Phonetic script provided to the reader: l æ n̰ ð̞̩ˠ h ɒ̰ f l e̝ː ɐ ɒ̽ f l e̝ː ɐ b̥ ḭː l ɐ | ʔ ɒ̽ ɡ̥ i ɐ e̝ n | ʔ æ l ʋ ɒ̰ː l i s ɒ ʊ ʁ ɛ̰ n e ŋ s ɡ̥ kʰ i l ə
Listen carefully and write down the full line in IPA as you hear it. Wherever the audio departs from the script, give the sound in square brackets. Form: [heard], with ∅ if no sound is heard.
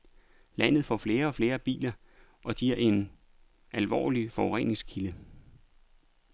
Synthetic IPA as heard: l æ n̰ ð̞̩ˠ [f] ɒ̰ f l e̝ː ɐ ɒ̽ f l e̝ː ɐ b̥ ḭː l ɐ | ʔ ɒ̽ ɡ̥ i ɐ e̝ n | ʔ æ l ʋ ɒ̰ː l i [f] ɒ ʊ ʁ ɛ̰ n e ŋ s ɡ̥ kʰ i l ə

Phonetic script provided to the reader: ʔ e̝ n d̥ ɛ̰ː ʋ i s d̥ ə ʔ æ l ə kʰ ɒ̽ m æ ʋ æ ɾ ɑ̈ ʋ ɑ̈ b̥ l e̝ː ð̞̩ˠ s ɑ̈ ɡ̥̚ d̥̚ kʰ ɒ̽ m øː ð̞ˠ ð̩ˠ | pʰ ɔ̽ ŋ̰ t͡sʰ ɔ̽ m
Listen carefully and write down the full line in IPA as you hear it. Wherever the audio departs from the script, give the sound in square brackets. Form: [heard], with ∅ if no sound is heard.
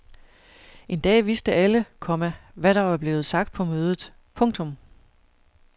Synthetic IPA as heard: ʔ e̝ n d̥ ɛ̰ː ʋ i s d̥ ə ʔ æ l ə kʰ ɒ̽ m æ ʋ æ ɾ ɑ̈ ʋ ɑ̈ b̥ l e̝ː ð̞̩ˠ s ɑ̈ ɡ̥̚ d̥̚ [pʰ] ɒ̽ m øː ð̞ˠ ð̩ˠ | pʰ ɔ̽ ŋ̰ t͡sʰ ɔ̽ m

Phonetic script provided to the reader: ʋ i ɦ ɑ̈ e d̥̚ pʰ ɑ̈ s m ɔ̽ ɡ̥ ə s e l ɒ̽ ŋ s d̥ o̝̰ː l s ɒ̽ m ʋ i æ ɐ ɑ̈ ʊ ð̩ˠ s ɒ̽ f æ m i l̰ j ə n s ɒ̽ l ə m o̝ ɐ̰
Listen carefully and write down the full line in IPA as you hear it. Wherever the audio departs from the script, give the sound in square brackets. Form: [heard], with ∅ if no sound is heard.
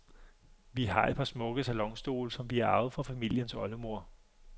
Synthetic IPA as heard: ʋ i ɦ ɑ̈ e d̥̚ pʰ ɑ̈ s m ɔ̽ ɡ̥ ə s [æ] l ɒ̽ ŋ s d̥ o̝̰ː l s ɒ̽ m ʋ i æ ɐ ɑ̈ ʊ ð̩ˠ [f] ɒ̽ f æ m i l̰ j ə n s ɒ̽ l ə m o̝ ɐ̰

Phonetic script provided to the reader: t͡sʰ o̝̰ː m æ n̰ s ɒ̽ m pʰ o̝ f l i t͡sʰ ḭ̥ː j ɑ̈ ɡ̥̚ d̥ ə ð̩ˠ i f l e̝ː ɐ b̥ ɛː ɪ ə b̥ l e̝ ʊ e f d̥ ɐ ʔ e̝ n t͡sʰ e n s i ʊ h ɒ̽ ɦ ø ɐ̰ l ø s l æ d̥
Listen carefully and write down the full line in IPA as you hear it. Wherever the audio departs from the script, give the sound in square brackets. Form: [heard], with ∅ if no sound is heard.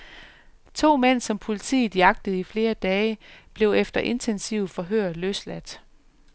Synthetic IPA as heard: t͡sʰ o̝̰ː m [e] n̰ s ɒ̽ m pʰ o̝ [∅] l i t͡sʰ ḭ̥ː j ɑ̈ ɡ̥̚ d̥ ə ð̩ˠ i f l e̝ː ɐ [d̥] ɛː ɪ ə b̥ l e̝ ʊ e f d̥ ɐ ʔ e̝ n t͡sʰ e n s i ʊ [f] ɒ̽ ɦ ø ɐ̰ l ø s l æ d̥

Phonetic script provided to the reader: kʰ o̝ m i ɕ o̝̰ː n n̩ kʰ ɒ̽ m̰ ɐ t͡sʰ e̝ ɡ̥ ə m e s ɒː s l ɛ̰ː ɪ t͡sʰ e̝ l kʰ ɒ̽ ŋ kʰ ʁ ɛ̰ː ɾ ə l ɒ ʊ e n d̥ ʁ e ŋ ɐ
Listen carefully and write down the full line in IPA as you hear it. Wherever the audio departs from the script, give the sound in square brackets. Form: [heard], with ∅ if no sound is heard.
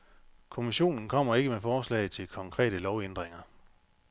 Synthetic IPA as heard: kʰ o̝ m i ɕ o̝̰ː n n̩ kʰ ɒ̽ m̰ ɐ [∅] e̝ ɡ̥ ə m e [f] ɒː s l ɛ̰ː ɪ t͡sʰ e̝ l kʰ ɒ̽ ŋ kʰ ʁ ɛ̰ː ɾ ə l ɒ ʊ e n d̥ ʁ e ŋ ɐ

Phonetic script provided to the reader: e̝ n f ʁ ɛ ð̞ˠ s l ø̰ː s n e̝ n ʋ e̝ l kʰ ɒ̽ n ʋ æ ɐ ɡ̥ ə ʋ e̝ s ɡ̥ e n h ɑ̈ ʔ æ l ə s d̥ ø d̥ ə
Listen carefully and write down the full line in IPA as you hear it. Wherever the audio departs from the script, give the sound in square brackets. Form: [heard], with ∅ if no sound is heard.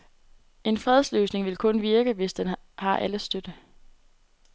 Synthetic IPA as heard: e̝ n f ʁ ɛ ð̞ˠ s l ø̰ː s n e̝ [ŋ] ʋ e̝ l kʰ [ɔ̽] n ʋ [i] ɐ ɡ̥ ə ʋ e̝ s [d̥] e n h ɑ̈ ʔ æ l ə s d̥ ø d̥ ə

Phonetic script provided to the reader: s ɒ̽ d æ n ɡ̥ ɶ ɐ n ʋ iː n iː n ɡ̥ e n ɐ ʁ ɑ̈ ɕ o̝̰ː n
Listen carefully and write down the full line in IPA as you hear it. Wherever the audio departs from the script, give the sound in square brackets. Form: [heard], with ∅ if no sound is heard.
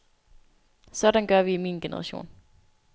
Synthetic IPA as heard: s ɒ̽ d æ n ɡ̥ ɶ ɐ [∅] ʋ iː [m] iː n ɡ̥ e n [ə] ʁ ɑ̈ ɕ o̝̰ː n

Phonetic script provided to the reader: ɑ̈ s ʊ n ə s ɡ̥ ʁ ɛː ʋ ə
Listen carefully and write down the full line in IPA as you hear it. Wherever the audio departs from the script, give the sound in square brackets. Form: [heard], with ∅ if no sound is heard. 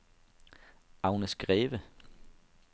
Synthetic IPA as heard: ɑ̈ [∅] ʊ n ə s ɡ̥ ʁ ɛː ʋ ə

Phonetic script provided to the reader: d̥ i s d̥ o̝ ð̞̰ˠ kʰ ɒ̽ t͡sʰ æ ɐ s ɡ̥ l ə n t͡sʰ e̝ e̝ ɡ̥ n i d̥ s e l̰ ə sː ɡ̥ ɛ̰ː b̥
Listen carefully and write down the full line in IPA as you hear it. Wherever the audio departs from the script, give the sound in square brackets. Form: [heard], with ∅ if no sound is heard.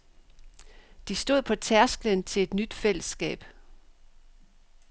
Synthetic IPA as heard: d̥ i s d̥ o̝ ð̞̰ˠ [pʰ] ɒ̽ t͡sʰ æ ɐ s ɡ̥ l ə n t͡sʰ e̝ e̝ [d̥] n [y] d̥ [f] e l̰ ə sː ɡ̥ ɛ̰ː b̥

